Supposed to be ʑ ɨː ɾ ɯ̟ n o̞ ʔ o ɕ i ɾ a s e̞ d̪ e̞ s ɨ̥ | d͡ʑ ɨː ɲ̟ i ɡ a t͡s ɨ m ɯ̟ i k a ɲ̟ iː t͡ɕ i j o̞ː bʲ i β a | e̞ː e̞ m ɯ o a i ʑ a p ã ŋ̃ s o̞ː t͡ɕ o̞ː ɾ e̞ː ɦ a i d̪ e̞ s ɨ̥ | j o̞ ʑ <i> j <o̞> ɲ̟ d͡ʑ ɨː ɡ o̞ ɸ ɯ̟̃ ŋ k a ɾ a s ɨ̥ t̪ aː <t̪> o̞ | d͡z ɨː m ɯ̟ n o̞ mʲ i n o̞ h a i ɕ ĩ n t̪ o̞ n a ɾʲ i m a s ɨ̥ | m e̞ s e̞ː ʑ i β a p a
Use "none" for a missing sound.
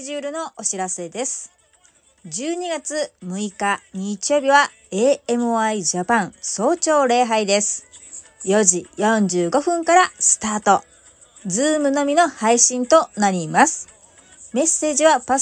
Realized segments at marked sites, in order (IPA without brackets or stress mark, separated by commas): i, õ̞, t̪